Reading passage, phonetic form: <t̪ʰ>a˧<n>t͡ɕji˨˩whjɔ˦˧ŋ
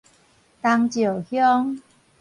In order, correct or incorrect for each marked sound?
incorrect: t̪, incorrect: ŋ

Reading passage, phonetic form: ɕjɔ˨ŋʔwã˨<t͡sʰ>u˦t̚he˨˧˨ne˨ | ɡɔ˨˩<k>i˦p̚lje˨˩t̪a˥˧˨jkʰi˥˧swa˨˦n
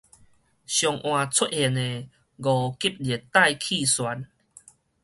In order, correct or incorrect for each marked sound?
correct, correct

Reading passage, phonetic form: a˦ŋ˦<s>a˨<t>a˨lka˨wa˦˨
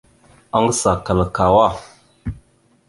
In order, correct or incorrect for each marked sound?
correct, incorrect: k

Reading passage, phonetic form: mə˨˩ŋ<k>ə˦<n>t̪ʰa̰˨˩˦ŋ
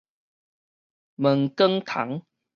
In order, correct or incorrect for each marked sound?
correct, incorrect: ŋ

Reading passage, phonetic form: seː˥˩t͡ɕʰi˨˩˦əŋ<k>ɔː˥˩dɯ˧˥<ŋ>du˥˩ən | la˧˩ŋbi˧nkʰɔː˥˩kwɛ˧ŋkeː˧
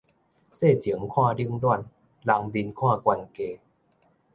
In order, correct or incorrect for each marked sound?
incorrect: kʰ, correct

